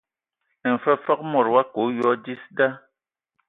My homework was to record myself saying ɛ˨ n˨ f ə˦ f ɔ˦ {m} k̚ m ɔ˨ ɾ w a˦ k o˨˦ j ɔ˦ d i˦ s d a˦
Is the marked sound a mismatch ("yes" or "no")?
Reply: yes